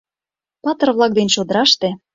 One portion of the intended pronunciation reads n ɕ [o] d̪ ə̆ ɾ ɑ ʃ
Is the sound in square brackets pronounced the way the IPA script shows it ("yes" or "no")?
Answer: yes